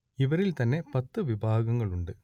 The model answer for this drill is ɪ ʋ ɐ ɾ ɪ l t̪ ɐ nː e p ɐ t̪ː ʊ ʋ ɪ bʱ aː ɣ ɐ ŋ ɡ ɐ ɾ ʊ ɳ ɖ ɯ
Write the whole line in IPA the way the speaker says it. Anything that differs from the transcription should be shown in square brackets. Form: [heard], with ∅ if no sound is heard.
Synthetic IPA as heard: ɪ ʋ ɐ ɾ ɪ l t̪ ɐ nː e p ɐ t̪ː [ɯ] ʋ ɪ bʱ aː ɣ ɐ ŋ ɡ ɐ [ɭ] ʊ ɳ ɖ ɯ

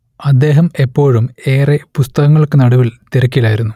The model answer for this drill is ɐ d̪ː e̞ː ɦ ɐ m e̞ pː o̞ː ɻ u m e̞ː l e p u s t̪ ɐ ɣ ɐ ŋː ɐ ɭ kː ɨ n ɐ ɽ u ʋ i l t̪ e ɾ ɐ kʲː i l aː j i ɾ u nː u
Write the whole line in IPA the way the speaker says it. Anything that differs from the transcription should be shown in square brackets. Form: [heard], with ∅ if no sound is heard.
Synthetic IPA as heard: ɐ d̪ː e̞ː ɦ ɐ m e̞ pː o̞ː ɻ u m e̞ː [r] e p u s t̪ ɐ ɣ ɐ ŋː ɐ ɭ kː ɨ n ɐ ɽ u ʋ i l t̪ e ɾ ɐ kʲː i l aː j i ɾ u nː u

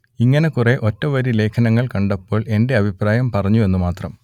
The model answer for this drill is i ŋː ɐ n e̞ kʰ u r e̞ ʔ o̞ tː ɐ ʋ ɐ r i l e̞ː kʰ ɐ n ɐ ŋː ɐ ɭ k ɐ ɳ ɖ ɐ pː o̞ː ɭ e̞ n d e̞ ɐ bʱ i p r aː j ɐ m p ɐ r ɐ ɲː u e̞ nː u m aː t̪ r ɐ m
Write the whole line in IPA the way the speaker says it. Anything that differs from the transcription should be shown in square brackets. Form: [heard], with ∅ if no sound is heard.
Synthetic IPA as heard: i ŋː ɐ n e̞ [k] u r e̞ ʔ o̞ tː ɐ ʋ ɐ [ɾ] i l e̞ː kʰ ɐ n ɐ ŋː ɐ ɭ k ɐ ɳ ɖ ɐ pː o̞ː ɭ e̞ n d e̞ ɐ bʱ i p r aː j ɐ m p ɐ r ɐ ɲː u e̞ nː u m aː t̪ r ɐ m

